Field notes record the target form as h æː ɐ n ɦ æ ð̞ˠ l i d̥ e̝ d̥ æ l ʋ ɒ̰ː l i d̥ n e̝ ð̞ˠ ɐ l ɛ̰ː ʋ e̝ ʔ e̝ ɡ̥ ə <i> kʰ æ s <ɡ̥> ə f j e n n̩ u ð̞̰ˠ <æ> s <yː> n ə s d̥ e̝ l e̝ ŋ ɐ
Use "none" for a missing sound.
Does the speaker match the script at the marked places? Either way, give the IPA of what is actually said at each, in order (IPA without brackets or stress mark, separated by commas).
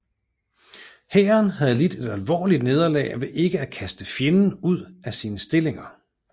æ, d̥, æ, iː